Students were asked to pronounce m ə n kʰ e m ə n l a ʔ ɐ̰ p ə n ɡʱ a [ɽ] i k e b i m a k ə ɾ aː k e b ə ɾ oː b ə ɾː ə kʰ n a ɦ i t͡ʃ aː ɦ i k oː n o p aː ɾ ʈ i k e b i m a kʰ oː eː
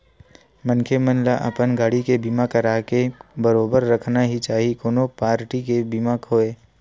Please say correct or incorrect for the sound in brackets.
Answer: correct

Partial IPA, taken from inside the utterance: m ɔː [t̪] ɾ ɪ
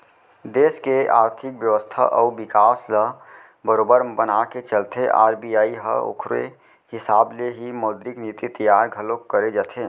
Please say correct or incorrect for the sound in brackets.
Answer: incorrect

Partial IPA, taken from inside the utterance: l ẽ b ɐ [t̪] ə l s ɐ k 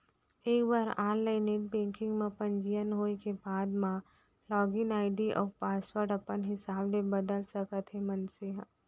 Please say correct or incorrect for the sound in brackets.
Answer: incorrect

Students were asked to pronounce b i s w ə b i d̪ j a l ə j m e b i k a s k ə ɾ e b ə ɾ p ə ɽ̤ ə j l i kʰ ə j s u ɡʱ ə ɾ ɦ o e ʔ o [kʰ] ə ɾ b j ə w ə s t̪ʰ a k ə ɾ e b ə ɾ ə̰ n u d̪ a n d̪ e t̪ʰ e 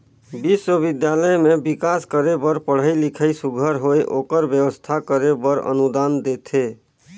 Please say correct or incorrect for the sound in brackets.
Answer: incorrect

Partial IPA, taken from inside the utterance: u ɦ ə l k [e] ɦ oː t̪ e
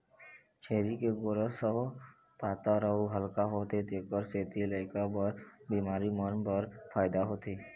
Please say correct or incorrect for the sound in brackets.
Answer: incorrect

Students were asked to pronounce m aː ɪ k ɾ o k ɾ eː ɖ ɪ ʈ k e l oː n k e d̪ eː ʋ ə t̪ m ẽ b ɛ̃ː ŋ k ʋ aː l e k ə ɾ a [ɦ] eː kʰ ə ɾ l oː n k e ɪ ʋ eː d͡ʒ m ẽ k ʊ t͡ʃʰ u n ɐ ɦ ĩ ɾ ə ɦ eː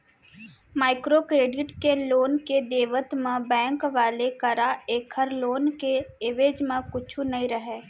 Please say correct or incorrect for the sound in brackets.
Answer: incorrect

